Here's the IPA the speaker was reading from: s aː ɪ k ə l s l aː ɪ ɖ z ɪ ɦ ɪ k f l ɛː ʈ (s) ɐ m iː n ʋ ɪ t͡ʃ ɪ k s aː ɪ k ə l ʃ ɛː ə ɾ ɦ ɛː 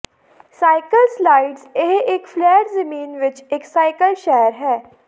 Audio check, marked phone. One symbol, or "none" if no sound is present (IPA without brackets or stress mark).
z